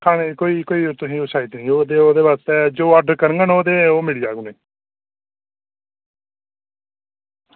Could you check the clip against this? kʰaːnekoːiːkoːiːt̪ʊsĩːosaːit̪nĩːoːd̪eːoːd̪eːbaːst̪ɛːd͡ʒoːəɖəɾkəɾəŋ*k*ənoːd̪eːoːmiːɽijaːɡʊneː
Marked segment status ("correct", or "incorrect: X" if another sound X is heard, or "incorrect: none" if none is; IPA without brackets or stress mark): incorrect: ɡ